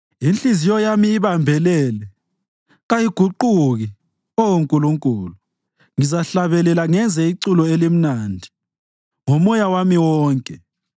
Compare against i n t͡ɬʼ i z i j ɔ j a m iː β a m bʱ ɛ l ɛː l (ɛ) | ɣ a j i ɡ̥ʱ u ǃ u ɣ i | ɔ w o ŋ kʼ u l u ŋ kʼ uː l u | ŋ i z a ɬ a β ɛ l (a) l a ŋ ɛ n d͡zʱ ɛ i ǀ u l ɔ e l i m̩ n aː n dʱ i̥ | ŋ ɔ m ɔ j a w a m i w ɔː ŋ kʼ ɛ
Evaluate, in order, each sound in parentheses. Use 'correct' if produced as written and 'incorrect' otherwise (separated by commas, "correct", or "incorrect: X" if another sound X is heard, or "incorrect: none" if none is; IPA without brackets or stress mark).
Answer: correct, incorrect: ɛ